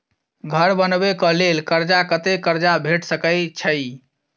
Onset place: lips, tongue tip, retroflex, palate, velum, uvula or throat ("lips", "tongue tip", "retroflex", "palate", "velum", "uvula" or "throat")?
velum